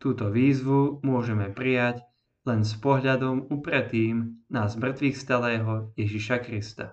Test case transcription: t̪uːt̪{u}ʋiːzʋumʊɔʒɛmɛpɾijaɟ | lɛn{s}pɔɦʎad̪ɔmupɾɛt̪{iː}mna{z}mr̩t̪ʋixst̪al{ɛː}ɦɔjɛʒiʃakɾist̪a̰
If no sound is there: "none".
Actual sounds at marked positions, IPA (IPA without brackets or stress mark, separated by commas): ɔ, s, iː, z, ɛː